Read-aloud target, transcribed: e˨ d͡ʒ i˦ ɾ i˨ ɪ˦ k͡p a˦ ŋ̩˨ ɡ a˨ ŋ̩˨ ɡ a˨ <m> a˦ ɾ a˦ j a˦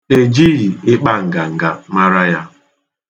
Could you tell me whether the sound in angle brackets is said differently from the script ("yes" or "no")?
no